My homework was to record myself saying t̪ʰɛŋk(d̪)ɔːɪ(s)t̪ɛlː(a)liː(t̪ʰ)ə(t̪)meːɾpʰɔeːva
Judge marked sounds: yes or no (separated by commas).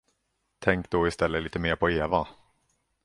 yes, yes, no, no, no